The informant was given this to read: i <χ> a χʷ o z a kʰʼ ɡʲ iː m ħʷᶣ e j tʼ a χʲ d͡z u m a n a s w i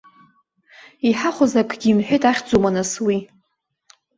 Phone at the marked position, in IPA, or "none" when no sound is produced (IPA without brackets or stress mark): ħ